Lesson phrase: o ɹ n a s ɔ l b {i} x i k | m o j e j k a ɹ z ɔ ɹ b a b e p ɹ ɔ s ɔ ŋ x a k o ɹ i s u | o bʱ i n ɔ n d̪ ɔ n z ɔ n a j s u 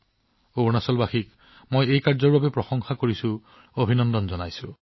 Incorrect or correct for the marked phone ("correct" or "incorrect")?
incorrect